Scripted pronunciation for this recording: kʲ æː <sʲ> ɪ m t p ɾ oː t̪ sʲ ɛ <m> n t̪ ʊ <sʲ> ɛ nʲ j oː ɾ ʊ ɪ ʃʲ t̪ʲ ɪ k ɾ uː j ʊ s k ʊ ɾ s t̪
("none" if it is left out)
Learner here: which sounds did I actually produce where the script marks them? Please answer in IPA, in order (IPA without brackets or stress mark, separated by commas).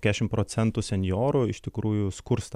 ʃʲ, none, sʲ